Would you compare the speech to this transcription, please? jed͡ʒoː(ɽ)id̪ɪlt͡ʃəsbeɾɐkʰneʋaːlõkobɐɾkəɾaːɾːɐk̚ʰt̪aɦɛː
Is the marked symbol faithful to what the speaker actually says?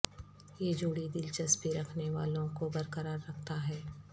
yes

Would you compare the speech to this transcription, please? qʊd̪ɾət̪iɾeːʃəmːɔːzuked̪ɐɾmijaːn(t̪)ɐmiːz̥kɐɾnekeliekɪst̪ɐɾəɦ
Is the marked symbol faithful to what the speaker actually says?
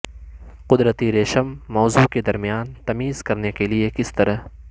yes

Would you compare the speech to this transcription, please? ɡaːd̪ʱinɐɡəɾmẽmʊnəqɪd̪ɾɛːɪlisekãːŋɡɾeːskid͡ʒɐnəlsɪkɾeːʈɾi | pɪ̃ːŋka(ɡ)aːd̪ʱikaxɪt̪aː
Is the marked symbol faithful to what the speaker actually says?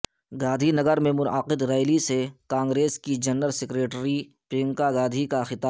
yes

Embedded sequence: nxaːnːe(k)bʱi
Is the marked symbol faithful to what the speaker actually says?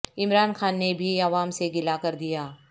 no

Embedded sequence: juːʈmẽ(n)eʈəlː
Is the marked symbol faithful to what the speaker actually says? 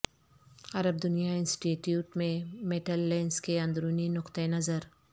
no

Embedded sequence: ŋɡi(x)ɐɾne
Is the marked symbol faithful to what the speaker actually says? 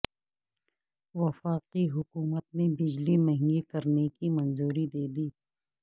no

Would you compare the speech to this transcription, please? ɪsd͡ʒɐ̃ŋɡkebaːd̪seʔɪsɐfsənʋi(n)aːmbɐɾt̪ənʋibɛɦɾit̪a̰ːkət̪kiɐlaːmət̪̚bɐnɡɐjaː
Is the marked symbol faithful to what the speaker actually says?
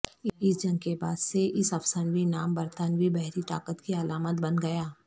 yes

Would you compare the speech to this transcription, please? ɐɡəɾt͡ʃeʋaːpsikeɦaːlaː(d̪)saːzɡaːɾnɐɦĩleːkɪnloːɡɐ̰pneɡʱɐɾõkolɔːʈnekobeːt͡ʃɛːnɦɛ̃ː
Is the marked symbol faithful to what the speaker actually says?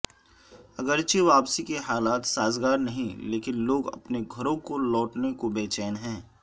no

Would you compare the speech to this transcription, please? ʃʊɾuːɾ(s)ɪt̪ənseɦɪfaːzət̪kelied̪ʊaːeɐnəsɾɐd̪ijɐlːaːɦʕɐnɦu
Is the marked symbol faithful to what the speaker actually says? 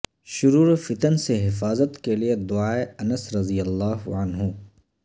no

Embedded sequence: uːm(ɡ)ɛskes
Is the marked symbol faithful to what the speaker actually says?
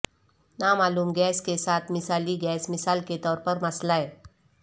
yes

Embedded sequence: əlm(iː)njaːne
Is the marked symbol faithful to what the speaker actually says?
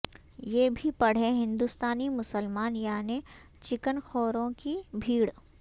no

